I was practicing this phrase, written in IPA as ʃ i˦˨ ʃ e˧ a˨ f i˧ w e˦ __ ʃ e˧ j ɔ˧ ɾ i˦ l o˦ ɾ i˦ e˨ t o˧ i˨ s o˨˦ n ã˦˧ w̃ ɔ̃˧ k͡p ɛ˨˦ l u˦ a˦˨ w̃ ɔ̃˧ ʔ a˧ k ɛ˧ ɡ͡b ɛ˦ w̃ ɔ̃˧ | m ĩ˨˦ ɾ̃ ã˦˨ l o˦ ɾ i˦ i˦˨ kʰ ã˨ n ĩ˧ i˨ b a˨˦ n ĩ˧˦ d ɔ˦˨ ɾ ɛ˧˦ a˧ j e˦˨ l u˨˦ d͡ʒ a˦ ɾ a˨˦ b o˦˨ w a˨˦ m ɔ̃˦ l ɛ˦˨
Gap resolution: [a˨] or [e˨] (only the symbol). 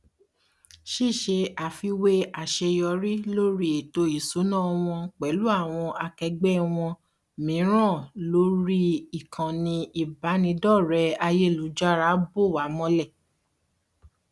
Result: a˨